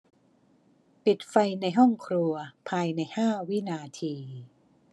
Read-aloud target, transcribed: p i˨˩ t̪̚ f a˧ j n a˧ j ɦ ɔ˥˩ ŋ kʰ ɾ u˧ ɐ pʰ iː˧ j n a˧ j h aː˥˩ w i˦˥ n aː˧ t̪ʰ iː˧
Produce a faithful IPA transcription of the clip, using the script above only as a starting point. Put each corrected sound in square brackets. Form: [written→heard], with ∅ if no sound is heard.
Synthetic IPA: p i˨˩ t̪̚ f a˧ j n a˧ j ɦ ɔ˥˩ ŋ kʰ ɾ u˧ ɐ pʰ [iː˧→aː˧] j n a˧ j h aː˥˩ w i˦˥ n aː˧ t̪ʰ iː˧

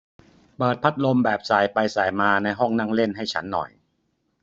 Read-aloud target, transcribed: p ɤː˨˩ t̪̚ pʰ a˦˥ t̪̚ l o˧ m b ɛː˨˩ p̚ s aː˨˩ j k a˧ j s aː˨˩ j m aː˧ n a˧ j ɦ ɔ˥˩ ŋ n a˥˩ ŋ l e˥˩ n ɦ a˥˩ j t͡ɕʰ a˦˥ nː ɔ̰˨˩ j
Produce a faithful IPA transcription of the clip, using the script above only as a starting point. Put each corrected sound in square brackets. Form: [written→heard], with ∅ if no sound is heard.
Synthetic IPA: p ɤː˨˩ t̪̚ pʰ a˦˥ t̪̚ l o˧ m b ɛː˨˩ p̚ s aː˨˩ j [k→p] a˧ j s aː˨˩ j m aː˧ n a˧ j ɦ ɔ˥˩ ŋ n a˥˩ ŋ l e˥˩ n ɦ a˥˩ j t͡ɕʰ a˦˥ nː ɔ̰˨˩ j

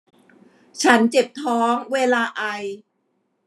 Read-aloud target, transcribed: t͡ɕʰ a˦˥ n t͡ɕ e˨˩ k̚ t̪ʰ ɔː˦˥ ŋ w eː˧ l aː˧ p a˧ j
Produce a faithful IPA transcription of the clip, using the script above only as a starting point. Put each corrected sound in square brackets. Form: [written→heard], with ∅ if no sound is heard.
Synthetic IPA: t͡ɕʰ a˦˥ n t͡ɕ e˨˩ [k̚→p̚] t̪ʰ ɔː˦˥ ŋ w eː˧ l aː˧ [p→ʔ] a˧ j

